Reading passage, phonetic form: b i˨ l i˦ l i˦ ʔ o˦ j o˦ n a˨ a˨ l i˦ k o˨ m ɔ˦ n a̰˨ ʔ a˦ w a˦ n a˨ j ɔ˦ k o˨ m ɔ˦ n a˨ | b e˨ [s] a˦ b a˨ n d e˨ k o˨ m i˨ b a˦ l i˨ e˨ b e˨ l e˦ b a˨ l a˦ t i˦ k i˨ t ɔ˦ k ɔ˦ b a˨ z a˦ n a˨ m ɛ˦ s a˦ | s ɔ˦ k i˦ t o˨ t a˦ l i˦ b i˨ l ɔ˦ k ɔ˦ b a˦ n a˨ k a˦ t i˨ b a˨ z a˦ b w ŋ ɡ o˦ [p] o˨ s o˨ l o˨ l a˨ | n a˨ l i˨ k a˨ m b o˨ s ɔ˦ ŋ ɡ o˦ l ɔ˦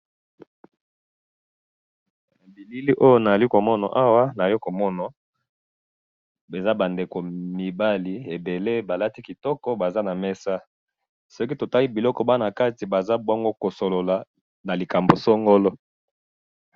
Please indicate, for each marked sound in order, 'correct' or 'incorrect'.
incorrect: z, incorrect: k

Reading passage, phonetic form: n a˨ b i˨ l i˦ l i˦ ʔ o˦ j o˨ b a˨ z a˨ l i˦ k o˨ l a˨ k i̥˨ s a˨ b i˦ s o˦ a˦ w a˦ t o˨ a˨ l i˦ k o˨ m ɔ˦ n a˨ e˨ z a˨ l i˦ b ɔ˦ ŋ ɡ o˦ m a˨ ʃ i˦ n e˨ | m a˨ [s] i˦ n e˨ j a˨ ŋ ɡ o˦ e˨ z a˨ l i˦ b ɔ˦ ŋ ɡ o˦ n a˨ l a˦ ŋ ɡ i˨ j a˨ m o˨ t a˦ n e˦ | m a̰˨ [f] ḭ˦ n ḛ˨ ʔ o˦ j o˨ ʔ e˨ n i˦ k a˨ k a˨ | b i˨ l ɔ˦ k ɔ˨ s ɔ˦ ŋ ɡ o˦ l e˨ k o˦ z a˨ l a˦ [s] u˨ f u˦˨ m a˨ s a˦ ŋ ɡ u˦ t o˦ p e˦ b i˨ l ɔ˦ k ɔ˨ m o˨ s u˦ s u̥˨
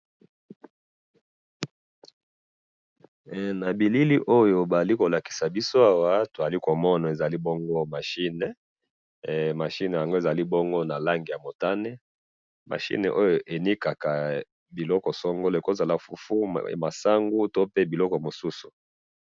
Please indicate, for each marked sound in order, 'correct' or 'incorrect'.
incorrect: ʃ, incorrect: ʃ, incorrect: f

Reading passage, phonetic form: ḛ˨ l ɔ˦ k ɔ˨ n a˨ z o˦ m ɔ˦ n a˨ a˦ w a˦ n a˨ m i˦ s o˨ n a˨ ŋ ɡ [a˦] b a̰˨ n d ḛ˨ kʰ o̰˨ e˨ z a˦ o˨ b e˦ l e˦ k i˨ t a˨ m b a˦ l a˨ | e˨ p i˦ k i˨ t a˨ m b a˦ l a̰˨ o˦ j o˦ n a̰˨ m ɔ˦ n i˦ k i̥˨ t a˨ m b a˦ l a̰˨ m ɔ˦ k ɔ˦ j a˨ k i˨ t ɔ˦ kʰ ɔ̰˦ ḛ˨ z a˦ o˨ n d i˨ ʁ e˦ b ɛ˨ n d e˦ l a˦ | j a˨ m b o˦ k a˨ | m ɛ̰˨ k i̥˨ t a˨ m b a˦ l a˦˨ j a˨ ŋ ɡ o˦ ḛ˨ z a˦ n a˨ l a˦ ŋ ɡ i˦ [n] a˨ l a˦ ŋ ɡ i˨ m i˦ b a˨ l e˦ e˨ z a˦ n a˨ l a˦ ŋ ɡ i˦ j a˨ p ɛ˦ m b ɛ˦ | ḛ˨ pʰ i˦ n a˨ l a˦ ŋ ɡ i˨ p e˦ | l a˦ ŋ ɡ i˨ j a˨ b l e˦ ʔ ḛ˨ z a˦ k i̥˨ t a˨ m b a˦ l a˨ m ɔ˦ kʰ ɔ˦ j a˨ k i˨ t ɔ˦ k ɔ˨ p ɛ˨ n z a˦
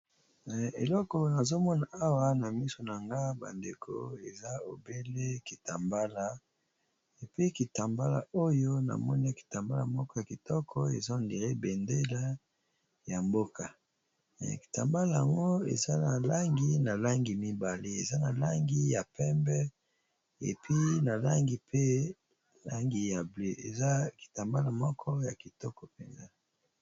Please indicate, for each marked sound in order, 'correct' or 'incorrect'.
correct, correct

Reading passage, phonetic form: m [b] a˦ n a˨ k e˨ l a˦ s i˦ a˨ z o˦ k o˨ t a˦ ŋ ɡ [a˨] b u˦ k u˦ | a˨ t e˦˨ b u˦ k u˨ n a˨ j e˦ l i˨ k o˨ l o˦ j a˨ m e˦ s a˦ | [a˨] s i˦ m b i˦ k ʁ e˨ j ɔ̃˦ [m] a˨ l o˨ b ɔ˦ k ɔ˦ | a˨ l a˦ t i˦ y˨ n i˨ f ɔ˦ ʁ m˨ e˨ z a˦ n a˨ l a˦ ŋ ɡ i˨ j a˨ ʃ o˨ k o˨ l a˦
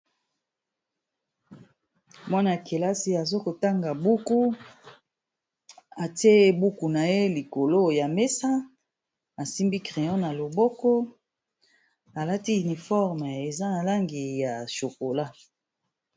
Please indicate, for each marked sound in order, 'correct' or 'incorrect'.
incorrect: w, correct, correct, incorrect: n

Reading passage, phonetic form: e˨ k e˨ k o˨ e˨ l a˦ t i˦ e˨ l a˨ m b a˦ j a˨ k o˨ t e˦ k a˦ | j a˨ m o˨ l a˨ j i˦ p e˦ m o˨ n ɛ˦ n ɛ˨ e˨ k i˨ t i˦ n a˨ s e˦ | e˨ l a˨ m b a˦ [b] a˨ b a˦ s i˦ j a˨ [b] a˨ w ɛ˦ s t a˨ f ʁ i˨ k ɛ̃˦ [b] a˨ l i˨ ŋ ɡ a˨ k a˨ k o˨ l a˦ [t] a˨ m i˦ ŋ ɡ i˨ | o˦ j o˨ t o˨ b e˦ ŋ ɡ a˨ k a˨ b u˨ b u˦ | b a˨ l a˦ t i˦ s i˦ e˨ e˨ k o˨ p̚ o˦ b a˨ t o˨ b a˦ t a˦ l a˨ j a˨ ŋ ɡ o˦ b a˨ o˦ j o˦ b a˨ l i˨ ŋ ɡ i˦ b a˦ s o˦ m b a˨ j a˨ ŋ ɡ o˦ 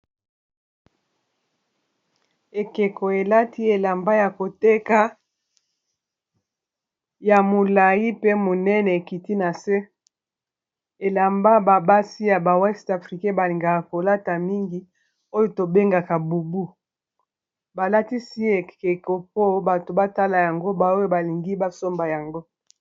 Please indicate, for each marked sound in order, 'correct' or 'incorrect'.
correct, correct, correct, correct

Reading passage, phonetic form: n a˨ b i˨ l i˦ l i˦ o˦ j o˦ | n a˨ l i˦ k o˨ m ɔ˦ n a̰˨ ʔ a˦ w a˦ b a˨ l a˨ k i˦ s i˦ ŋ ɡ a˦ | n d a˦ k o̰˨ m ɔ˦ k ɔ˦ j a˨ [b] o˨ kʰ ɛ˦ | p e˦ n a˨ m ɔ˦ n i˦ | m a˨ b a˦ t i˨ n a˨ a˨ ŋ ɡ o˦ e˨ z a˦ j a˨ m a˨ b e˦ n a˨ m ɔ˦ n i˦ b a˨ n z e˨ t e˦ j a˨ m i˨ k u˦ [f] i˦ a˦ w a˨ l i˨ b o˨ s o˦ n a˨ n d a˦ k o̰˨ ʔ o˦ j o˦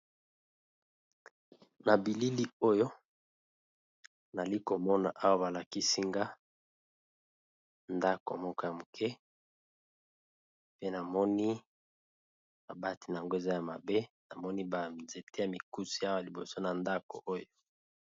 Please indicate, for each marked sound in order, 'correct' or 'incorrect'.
incorrect: m, incorrect: s

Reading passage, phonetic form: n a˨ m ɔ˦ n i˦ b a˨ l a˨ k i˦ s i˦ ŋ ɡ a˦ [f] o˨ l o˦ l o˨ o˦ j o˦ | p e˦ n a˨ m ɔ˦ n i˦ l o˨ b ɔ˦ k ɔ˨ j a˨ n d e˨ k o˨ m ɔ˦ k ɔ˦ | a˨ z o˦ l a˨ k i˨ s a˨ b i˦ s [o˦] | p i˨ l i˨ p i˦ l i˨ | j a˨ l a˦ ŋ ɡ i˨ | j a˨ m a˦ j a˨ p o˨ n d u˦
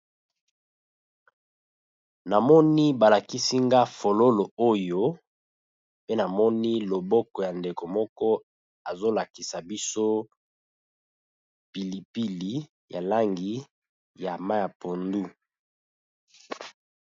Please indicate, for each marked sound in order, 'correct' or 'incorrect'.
correct, correct

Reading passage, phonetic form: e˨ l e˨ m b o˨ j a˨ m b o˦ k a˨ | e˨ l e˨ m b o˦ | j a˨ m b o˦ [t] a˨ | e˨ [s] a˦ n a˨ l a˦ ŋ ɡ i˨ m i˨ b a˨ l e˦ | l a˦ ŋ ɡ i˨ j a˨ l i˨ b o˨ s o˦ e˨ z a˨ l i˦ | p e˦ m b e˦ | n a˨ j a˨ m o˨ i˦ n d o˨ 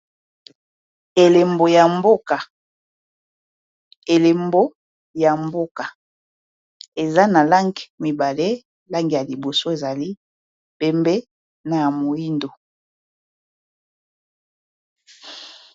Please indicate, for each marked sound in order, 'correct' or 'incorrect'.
incorrect: k, incorrect: z

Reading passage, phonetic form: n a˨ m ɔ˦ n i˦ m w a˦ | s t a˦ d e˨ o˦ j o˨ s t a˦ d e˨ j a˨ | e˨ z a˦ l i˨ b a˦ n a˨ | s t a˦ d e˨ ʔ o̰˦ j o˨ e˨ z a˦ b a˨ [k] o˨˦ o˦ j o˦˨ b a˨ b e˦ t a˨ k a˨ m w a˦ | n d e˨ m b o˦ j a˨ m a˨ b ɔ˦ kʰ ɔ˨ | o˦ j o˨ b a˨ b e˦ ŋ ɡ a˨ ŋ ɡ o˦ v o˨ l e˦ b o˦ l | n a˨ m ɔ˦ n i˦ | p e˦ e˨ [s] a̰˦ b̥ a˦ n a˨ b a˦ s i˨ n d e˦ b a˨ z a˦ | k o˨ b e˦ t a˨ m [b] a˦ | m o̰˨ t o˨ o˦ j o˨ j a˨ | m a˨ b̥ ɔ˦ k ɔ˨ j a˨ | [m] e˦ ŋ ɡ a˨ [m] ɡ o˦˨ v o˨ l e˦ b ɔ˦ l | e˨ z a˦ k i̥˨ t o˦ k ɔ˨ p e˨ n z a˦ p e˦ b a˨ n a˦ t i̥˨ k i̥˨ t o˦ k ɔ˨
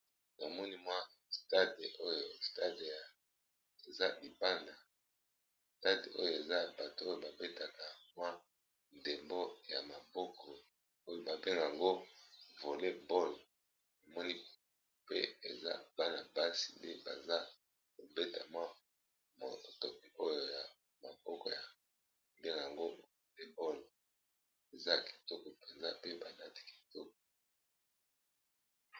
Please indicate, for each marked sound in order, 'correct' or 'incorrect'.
incorrect: t, incorrect: z, incorrect: w, incorrect: b, incorrect: ŋ

